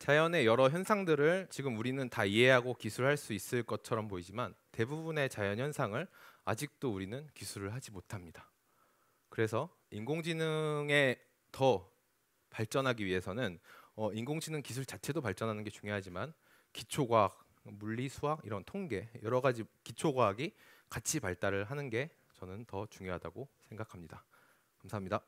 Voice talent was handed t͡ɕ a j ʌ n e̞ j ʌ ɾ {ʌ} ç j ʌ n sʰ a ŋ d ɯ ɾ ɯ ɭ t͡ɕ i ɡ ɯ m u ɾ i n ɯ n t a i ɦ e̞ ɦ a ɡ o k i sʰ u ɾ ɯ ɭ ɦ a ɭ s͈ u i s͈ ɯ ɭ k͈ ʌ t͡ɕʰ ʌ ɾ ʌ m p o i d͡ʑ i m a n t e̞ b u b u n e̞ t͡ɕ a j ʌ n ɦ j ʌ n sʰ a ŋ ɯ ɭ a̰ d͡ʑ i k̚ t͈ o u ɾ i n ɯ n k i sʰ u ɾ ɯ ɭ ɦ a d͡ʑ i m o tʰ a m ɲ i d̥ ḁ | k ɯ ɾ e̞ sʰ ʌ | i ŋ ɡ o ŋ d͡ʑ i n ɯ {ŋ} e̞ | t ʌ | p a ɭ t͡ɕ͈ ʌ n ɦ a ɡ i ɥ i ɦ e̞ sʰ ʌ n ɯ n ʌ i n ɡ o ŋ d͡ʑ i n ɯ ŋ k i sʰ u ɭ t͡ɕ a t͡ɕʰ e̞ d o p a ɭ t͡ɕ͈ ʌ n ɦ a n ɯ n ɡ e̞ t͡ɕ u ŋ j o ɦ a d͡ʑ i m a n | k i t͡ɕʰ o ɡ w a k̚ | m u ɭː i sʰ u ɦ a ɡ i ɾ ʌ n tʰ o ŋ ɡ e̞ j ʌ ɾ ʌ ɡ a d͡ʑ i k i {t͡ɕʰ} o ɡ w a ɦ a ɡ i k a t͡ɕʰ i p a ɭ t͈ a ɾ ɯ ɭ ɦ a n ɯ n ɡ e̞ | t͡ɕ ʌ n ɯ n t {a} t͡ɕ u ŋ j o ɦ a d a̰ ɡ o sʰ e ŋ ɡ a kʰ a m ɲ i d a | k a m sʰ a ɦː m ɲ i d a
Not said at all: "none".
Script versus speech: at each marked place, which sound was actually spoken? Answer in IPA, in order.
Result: ʌ, ŋ, t͡ɕʰ, ʌ

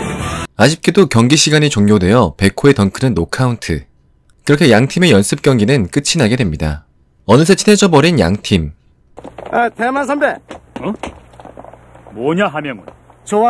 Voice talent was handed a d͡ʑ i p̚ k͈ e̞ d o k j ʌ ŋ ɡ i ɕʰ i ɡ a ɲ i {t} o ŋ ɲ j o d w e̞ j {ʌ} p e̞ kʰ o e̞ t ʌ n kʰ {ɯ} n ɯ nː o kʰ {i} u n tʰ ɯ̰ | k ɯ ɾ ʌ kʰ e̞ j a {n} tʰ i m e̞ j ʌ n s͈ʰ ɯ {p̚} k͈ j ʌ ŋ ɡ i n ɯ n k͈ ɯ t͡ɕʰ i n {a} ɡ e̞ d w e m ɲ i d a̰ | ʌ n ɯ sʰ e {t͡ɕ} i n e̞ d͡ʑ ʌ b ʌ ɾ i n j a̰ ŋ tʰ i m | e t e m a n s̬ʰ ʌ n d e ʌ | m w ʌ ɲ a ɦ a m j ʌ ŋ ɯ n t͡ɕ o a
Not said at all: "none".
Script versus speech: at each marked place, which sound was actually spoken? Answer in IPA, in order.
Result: t͡ɕ, ʌ, ɯ, a, ŋ, p̚, a, t͡ɕʰ

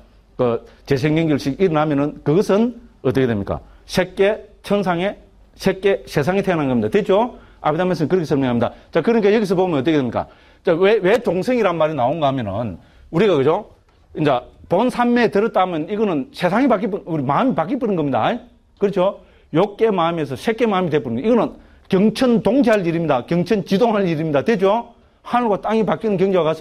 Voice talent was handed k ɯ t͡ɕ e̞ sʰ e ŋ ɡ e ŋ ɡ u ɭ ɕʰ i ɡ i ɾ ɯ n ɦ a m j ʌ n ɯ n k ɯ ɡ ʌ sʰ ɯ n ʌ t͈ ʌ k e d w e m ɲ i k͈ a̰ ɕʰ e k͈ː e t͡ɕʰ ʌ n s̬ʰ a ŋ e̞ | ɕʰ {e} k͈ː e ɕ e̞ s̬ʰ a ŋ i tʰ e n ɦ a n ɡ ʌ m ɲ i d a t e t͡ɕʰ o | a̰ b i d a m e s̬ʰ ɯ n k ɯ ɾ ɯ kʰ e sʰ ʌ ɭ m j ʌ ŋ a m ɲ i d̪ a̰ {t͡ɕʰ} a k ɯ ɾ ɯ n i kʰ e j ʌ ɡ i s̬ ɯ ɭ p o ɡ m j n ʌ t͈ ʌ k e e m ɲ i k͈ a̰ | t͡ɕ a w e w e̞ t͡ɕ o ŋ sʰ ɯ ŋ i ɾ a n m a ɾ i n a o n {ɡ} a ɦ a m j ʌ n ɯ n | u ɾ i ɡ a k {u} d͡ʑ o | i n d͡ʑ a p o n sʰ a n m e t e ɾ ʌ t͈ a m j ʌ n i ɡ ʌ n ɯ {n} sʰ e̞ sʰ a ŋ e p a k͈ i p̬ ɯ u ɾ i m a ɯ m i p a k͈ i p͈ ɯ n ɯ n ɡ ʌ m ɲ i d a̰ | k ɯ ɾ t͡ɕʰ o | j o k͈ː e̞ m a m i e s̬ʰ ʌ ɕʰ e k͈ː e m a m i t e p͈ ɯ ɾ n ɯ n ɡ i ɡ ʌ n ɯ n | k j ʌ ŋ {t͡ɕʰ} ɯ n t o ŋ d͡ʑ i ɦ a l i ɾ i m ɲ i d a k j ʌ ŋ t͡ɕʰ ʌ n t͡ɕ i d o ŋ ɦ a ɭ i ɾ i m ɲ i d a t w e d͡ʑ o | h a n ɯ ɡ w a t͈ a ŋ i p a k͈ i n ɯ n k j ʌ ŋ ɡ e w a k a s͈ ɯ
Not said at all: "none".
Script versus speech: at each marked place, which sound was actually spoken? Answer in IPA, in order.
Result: e, t͡ɕ, ɡ, ɯ, n, t͡ɕʰ

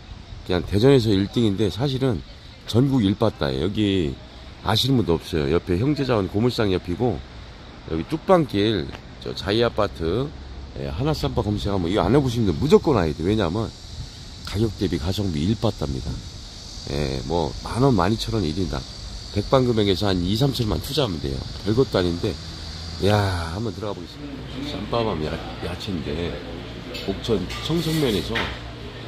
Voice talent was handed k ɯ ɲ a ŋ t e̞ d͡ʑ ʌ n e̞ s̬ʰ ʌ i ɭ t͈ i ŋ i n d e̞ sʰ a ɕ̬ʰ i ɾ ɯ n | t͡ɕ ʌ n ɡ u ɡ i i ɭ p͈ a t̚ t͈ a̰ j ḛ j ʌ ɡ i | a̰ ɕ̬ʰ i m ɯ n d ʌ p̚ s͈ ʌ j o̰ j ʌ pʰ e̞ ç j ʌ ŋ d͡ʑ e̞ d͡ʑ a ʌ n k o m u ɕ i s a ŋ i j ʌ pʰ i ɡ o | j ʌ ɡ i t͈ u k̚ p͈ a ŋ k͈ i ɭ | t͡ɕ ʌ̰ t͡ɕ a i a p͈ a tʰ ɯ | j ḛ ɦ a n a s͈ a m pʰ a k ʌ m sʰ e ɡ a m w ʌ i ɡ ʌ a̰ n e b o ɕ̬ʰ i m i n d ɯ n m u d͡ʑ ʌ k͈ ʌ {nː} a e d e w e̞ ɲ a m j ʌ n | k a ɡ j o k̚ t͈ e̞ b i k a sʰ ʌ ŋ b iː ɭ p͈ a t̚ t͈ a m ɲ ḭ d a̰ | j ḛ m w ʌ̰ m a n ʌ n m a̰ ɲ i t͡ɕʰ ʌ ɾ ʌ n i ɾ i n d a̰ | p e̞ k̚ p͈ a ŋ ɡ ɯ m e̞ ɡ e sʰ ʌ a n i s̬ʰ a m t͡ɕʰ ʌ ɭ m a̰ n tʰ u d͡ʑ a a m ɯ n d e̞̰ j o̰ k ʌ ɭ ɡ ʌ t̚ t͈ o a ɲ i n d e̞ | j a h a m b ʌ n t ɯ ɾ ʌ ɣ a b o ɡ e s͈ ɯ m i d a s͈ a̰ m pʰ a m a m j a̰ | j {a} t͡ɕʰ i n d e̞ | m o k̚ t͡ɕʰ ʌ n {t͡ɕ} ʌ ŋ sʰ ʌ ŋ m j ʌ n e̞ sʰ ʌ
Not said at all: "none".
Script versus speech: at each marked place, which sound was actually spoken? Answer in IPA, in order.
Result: n, a, t͡ɕʰ

